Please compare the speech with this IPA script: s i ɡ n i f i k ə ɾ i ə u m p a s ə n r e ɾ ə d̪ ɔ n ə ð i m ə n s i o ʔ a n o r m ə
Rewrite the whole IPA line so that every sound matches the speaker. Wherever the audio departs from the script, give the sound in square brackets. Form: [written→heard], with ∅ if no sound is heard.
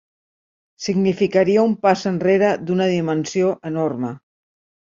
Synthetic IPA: s i ɡ n i f i k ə ɾ i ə u m p a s ə n r e ɾ ə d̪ [ɔ→u] n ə ð i m ə n s i o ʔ [a→ə] n o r m ə